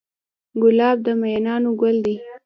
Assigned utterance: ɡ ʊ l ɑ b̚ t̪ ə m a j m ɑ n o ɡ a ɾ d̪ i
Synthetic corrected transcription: ɡ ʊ l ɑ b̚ d̪ ə m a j n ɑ n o ɡ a l d̪ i